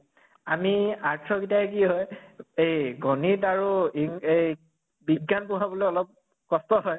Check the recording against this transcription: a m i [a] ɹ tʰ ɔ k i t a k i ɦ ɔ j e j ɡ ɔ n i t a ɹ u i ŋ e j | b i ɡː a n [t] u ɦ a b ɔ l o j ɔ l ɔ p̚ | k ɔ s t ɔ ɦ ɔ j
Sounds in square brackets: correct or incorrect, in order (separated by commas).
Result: correct, incorrect